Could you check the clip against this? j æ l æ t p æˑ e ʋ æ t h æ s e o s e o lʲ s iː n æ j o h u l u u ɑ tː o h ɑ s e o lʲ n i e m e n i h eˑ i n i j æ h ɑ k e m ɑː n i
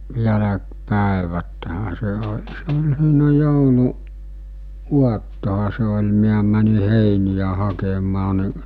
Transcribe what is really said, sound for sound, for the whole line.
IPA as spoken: j æ l æ k p æˑ e ʋ æ t h æ s e o s e o lʲ s iː n æ j o u l u u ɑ tː o h ɑ s e o lʲ m i æ m æ n i h eˑ i n i j æ h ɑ k e m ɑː n i

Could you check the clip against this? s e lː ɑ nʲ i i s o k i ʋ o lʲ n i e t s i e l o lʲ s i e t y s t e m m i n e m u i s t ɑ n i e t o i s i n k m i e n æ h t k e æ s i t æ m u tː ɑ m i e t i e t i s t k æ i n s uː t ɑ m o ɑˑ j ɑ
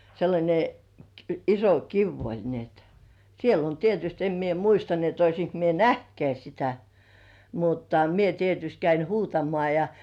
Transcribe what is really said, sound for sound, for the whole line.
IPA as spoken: s e lː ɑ nʲ e i s o k i ʋ o lʲ n i e t s i e l o lʲ t i e t y s t e m m i e m u i s t ɑ n i e t o i s i ŋ k m i e n æ h t k e æ s i t æ m u tː ɑ m i e t i e t y s t k æ i n h uː t ɑ m o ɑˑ j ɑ

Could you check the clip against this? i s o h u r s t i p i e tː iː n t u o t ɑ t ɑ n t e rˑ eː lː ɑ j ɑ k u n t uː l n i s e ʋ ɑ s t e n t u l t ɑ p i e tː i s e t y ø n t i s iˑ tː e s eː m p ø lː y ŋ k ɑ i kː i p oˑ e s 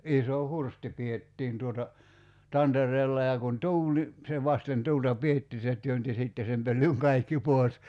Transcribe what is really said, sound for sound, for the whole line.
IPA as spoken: i s o h u r s t i p i e tː iː n t u o t ɑ t ɑ n t e rˑ eː lː ɑ j ɑ k u n t uː l n i s e ʋ ɑ s t e n t uː l t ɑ p i e tː i s e t y ø n t i s iˑ tː e s e m p ø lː y ŋ k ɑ i kː i p oˑ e s

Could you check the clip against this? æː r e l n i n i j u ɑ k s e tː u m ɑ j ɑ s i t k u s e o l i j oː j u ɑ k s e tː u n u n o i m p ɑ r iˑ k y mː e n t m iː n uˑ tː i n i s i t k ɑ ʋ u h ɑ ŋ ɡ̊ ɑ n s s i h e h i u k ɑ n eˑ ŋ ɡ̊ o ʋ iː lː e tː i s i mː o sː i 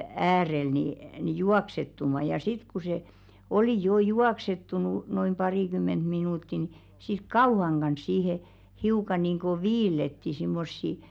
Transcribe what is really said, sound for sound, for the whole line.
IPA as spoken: æː r e l n i n i j u ɑ k s e tː u m ɑ j ɑ s i t k u s e o l i j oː j u ɑ k s e tː u n u n o i m p ɑ r iˑ k y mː e n t m i n uˑ tː i n i s i t k ɑ u h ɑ ŋ ɡ̊ ɑ n s s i h e h i u k ɑ n iˑ ŋ ɡ̊ o ʋ iː lː e tː i s i mː o sː i

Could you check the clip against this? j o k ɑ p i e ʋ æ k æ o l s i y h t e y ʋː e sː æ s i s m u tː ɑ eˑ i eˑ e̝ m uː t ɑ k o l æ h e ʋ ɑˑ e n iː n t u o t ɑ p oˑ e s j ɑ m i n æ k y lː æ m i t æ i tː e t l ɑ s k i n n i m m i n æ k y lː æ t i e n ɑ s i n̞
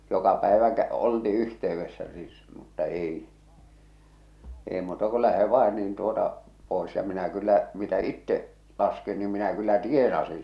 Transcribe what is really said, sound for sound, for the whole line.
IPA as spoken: j o k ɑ p æ e ʋ æ k æ o l t i y h t e y ʋː e sː æ s i s m u tː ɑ eˑ i eˑ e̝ m uː t ɑ k o l æ h e ʋ ɑˑ e n iː n t u o t ɑ p oˑ e s j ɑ m i n æ k y lː æ m i t æ i tː e ʔ l ɑ s k i n n i m m i n æ k y lː æ t i e n ɑ s i n̞

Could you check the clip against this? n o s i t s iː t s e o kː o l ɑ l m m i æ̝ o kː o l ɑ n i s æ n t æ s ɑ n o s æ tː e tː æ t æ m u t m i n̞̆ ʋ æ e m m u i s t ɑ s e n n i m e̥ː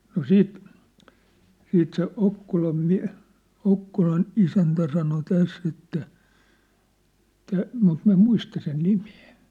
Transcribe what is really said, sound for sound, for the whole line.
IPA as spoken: n o s iː t s iː t s e o kː o l ɑ m m i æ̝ o kː o l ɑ n i s æ n t æ s ɑ n o t æ sː e tː æ t æ m u t m i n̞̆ ʋ æ e m m u i s t ɑ s e n n i m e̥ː

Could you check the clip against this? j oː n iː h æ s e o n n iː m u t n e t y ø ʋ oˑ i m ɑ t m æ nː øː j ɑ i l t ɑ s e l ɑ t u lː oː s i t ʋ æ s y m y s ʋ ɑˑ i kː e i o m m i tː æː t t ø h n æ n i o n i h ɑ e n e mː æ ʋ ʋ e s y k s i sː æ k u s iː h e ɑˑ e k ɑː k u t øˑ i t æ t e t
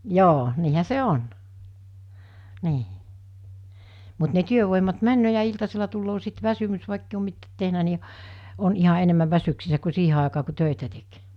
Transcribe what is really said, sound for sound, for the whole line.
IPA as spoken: j oː n iː h æ s e o n n iː m u t n e t y ø ʋ oˑ i m ɑ t m æ nː øː j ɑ i l t ɑ s e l ɑ t u lː oː s i t ʋ æ s y m y s ʋ ɑˑ i kː e i o m m i tː æː t t e h n æ n i o n i h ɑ e n e mː æ ʋ ʋ æ s y k s i sː æ k u s iː h e ɑˑ e k ɑː k u t øˑ i t æ t e k

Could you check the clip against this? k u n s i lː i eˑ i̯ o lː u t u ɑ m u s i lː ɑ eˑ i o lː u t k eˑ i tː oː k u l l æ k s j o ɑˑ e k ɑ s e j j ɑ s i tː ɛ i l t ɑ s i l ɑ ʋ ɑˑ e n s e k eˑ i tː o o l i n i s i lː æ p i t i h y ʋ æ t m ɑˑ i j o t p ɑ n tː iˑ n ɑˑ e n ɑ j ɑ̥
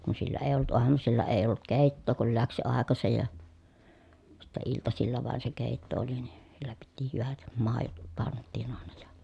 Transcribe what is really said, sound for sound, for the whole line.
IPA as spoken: k u n s i lː æ eˑ i̯ o lː u t u ɑ m u s i lː ɑ eˑ i o lː u t k eˑ i tː oː k u l l æ k s j o ɑˑ e k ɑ s e j j ɑ s i tː ɛ i l t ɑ s i lː ɑ ʋ ɑˑ e n s e k eˑ i tː o o l i n i s i lː æ p i t i h y ʋ æ t m ɑˑ e j o t p ɑ n tː iˑ n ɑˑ e n ɑ j ɑ̥

